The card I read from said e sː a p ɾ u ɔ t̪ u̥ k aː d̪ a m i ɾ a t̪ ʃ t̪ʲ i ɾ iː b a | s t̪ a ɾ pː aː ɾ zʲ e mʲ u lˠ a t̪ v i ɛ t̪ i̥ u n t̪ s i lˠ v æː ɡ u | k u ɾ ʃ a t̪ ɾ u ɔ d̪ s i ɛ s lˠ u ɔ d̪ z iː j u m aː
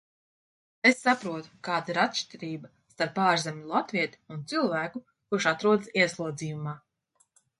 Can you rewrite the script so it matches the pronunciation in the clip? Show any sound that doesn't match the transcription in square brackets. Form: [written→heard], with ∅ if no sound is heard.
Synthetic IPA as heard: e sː a p ɾ u ɔ t̪ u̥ k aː d̪ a [m→∅] i ɾ a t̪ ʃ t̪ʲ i ɾ iː b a | s t̪ a ɾ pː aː ɾ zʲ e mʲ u lˠ a t̪ v i ɛ t̪ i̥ u n t̪ s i lˠ v æː [ɡ→k] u | k u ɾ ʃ a t̪ ɾ u ɔ d̪ s i ɛ s lˠ u ɔ d̪ z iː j u m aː